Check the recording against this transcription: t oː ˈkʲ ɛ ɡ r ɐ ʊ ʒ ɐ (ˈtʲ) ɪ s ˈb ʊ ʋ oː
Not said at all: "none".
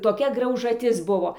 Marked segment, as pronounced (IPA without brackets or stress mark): tʲ